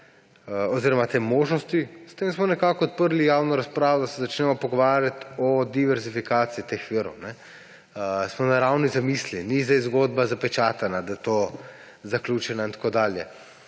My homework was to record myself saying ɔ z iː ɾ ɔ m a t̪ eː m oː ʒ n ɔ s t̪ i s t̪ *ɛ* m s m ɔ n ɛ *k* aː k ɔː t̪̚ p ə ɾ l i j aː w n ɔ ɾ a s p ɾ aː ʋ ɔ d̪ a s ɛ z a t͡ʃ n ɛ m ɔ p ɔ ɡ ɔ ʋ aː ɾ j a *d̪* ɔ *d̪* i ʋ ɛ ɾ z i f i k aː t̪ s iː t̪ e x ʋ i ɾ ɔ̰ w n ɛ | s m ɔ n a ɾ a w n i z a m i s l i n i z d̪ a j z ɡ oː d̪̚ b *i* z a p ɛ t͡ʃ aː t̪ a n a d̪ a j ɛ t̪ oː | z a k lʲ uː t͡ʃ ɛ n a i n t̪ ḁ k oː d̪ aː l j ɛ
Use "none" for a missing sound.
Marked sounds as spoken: e, k, t̪, d̪, a

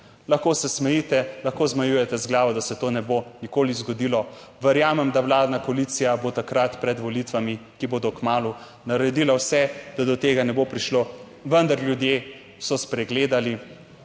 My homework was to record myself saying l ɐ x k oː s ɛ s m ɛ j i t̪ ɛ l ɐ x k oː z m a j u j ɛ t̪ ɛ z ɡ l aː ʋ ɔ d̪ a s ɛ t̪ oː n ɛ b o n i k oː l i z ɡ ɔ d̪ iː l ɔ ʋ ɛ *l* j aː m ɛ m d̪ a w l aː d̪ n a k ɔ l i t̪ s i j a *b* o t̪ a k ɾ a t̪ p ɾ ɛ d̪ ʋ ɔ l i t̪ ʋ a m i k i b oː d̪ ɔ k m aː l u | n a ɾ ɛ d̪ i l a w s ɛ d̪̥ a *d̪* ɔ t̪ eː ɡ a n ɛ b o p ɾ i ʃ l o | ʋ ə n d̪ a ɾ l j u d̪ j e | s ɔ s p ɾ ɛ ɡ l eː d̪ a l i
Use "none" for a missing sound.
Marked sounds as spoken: ɾ, b, d̪

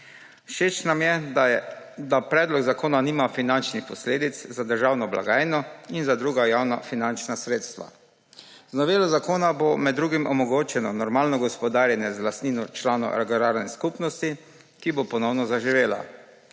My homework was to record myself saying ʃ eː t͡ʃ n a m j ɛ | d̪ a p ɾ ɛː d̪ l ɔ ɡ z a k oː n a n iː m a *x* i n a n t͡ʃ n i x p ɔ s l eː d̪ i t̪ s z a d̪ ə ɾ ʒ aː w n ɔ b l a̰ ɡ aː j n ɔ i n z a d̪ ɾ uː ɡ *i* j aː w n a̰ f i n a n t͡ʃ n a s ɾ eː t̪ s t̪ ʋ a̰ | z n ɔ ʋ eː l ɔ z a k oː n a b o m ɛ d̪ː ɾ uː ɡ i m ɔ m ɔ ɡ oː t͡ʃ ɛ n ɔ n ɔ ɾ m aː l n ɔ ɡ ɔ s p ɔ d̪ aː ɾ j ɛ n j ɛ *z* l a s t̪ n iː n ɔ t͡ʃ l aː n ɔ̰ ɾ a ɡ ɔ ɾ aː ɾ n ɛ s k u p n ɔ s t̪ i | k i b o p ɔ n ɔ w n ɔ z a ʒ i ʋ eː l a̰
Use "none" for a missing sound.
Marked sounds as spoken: f, a, z

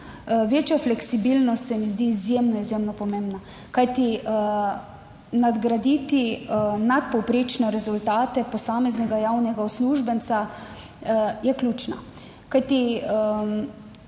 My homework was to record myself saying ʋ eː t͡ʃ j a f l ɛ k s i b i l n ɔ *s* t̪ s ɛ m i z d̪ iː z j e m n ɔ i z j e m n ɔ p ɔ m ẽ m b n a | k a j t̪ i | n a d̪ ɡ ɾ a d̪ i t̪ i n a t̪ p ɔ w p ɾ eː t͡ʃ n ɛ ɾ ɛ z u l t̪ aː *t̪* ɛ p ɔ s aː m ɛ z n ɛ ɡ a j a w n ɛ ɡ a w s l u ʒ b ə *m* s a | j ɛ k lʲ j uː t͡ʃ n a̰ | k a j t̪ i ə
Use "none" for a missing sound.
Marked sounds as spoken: s, t̪, n

